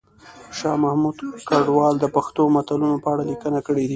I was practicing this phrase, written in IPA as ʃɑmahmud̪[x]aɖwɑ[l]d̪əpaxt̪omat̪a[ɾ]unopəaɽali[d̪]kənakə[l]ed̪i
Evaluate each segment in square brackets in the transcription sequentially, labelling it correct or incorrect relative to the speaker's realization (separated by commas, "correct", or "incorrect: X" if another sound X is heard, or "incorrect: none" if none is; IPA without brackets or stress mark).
incorrect: k, correct, incorrect: l, incorrect: none, incorrect: ɽ